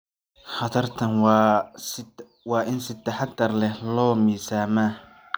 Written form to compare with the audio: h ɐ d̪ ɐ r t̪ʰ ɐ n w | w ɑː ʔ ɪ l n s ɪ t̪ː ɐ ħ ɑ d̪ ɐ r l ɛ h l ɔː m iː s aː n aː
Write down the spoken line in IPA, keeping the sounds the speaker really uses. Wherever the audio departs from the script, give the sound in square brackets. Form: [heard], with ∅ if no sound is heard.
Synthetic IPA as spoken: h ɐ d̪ ɐ r t̪ʰ ɐ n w | w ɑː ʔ ɪ [∅] n s ɪ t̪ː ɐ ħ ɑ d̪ ɐ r l ɛ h l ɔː m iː s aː [m] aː